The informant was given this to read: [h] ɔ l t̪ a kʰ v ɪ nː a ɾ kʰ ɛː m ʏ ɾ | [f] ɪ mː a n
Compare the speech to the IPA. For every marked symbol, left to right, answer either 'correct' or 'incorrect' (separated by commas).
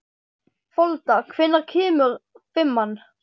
incorrect, correct